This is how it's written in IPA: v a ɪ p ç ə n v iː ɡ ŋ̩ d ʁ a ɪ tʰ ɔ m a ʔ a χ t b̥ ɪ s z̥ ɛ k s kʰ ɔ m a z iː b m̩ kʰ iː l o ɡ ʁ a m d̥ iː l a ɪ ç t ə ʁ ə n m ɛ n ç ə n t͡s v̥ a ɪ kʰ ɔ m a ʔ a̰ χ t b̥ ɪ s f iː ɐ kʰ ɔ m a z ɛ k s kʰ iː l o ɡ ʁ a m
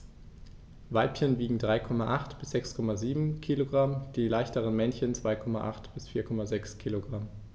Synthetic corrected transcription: v a ɪ p ç ə n v iː ɡ ŋ̩ d ʁ a ɪ kʰ ɔ m a ʔ a χ t b̥ ɪ s z̥ ɛ k s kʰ ɔ m a z iː b m̩ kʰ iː l o ɡ ʁ a m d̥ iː l a ɪ ç t ə ʁ ə n m ɛ n ç ə n t͡s v̥ a ɪ kʰ ɔ m a ʔ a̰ χ t b̥ ɪ s f iː ɐ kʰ ɔ m a z ɛ k s kʰ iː l o ɡ ʁ a m